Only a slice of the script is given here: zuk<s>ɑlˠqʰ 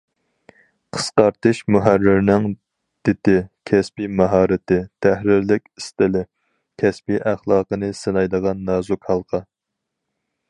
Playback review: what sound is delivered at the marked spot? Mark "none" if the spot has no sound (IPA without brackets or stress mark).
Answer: h